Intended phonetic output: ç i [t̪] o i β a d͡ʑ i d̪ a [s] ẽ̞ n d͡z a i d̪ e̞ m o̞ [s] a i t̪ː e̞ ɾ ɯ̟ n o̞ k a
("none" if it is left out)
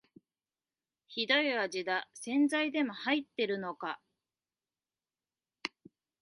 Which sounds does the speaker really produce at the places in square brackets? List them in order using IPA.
d̪, s, h

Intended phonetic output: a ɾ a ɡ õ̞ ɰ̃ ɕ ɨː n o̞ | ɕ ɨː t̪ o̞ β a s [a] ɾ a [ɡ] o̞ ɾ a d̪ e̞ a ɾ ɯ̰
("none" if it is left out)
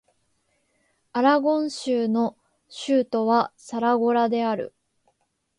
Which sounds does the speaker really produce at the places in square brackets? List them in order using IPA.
a, ɡ

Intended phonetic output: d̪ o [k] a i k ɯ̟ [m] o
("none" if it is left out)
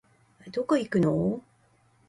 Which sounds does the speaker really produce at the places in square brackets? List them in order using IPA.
k, n

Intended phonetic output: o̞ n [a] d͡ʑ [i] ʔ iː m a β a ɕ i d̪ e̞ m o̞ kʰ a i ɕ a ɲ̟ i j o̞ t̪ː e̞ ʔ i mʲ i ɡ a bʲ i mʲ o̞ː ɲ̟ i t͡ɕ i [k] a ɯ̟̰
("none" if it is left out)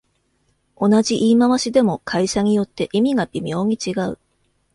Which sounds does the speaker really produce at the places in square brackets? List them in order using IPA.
a, i, ɡ

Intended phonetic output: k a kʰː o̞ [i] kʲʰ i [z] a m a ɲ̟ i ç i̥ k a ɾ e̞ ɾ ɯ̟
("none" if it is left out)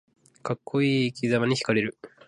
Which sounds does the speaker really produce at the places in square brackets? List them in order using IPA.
iː, z

